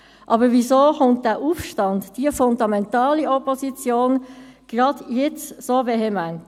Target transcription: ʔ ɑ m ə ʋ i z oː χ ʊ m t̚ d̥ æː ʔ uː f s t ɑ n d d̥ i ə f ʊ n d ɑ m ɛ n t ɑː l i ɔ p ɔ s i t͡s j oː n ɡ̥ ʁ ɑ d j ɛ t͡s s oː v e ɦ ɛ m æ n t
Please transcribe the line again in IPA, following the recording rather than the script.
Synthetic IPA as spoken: ʔ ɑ b ə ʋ i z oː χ ʊ n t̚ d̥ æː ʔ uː f ʃ t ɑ n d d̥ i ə f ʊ n d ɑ m ɛ n t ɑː l i ɔ p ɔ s i t͡s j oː n ɡ̥ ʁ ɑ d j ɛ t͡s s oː v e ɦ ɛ m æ n t